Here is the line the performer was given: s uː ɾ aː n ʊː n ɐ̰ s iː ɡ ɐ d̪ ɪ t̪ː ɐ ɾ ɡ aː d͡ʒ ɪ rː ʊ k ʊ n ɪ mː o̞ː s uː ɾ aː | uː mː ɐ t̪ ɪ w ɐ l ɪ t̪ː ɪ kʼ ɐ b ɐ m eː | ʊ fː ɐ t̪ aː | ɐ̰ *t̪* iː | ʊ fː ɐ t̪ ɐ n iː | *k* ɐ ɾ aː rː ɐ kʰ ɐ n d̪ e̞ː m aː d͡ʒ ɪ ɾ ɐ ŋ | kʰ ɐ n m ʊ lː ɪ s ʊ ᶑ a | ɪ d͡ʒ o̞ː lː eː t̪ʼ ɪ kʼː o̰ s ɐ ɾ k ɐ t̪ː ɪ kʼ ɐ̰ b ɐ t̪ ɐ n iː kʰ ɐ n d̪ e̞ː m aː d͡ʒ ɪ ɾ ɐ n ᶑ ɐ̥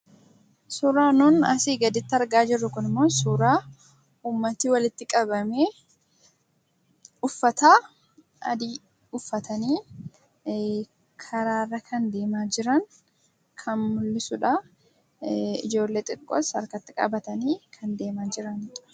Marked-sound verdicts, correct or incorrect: incorrect: d̪, incorrect: kʰ

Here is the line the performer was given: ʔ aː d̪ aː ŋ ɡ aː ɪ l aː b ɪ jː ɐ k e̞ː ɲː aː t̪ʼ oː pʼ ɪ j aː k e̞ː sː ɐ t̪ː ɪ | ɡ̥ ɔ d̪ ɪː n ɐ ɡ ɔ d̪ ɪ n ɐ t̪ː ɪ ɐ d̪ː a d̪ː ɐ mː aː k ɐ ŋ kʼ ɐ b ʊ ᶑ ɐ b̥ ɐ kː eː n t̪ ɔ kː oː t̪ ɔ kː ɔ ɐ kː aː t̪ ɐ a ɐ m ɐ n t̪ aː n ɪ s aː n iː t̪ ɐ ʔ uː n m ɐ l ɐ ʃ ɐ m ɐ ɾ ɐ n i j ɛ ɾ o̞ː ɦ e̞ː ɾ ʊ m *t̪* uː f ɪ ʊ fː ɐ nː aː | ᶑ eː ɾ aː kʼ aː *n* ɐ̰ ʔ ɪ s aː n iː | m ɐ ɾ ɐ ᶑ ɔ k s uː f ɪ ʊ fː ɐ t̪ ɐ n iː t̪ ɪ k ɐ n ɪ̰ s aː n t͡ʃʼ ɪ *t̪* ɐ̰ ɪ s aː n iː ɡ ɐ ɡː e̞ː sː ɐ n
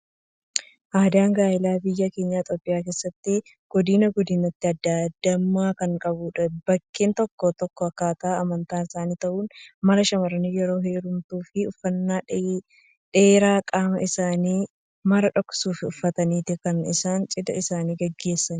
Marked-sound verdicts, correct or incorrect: correct, incorrect: m, incorrect: d̪

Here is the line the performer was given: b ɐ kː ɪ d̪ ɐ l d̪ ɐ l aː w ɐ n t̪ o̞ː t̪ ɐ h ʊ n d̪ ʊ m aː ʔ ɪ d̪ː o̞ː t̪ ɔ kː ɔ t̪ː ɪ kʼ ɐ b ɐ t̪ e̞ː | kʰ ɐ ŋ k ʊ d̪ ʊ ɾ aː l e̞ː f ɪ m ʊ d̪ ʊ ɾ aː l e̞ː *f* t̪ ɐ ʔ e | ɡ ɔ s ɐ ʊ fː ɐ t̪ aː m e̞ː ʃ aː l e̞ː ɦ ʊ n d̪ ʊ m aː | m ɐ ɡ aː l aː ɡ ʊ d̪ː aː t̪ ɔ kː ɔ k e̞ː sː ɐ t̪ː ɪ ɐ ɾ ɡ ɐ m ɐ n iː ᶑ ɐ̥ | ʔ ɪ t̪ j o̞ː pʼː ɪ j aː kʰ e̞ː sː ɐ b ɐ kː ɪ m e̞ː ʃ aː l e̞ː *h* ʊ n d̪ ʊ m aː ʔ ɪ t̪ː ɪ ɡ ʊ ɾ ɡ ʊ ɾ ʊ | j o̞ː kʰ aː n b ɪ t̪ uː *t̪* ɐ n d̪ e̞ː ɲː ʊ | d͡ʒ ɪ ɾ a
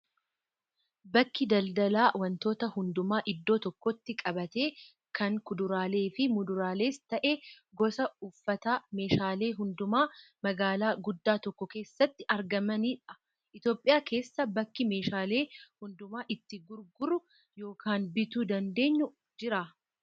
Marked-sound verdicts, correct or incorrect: incorrect: s, correct, incorrect: d̪

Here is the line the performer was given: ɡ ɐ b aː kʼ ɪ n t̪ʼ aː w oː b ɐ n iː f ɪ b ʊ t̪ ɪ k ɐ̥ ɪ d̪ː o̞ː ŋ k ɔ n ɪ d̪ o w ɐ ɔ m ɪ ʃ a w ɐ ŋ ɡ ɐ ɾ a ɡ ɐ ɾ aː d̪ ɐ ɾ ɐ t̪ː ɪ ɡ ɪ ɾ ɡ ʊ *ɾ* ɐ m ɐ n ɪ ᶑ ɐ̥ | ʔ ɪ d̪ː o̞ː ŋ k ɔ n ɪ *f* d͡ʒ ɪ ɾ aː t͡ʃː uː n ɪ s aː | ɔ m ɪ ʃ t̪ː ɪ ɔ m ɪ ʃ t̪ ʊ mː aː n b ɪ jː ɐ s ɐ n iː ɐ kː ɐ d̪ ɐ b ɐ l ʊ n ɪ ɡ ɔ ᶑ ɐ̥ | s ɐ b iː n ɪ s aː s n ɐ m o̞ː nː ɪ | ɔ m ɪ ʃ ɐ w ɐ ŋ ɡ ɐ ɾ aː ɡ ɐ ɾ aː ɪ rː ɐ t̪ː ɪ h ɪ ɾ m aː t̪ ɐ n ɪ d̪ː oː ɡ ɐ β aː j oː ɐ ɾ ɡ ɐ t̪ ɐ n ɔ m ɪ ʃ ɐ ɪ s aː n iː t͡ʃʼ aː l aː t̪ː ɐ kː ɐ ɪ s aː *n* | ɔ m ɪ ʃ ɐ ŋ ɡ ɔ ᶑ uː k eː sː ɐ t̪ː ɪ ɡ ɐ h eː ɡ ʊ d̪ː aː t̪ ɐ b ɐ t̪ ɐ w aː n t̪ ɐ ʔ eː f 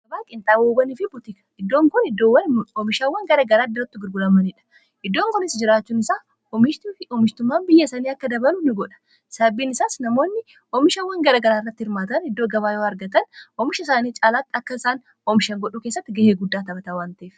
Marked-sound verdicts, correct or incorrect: incorrect: l, incorrect: s, correct

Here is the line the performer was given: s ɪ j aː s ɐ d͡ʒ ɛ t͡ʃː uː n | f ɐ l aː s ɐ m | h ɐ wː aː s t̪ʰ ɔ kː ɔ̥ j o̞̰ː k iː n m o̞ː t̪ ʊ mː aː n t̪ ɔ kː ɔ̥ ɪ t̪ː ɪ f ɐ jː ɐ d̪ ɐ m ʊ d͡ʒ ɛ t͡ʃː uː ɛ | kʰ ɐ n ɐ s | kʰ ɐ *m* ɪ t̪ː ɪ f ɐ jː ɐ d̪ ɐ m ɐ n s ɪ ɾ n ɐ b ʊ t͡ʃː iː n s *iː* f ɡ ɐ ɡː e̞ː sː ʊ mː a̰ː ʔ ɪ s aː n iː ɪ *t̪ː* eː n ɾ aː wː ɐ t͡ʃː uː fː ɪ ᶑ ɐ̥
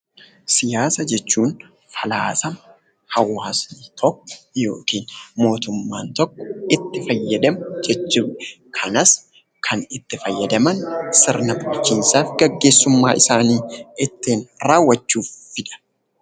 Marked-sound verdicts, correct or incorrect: incorrect: n, incorrect: aː, correct

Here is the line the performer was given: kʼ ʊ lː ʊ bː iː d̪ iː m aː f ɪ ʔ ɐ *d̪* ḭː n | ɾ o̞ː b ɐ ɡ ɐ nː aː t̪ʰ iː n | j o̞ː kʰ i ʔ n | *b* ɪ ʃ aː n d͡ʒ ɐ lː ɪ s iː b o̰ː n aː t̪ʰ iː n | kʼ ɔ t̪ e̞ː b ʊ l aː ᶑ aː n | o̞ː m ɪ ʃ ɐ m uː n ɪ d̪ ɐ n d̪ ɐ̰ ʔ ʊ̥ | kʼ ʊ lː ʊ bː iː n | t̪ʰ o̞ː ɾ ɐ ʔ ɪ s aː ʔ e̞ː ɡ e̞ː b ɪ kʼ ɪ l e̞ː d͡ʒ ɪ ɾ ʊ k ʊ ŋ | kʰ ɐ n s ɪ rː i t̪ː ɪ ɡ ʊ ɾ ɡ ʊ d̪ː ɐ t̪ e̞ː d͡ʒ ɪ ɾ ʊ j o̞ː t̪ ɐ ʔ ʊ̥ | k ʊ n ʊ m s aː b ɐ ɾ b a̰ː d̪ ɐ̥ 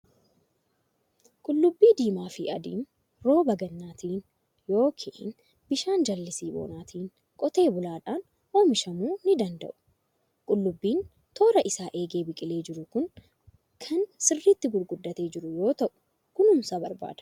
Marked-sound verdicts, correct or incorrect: correct, correct

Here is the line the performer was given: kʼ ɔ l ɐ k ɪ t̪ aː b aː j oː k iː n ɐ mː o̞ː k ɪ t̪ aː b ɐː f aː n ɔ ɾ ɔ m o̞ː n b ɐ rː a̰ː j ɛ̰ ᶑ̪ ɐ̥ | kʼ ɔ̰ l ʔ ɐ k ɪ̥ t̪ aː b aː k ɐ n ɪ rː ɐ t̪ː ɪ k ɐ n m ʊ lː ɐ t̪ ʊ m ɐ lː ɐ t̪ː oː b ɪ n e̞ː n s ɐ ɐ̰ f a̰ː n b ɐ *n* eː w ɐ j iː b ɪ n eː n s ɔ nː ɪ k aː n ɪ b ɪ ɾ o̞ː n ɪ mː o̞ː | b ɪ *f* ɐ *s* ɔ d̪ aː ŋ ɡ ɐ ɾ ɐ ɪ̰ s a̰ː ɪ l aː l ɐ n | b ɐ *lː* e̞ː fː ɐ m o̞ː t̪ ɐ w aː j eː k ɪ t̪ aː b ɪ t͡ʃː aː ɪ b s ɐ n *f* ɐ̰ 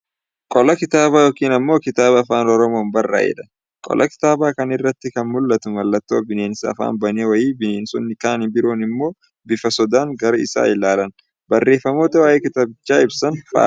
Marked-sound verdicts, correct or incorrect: correct, correct, correct, incorrect: rː, correct

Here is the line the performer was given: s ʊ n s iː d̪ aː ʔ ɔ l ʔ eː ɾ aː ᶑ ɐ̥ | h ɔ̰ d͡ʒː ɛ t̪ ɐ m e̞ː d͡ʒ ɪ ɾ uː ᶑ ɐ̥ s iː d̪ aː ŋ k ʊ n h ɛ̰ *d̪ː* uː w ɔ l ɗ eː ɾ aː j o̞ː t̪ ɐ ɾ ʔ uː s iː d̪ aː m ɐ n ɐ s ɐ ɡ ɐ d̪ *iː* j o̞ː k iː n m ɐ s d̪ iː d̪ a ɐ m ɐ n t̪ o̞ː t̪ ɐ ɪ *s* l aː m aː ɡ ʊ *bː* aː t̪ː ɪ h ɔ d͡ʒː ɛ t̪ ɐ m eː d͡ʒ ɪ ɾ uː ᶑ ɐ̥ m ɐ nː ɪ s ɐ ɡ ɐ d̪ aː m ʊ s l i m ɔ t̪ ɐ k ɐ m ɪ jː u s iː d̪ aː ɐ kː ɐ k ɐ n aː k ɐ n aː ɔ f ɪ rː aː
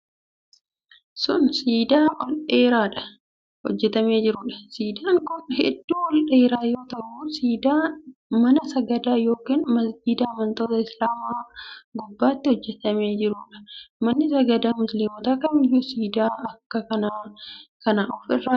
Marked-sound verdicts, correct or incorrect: correct, incorrect: aː, correct, correct

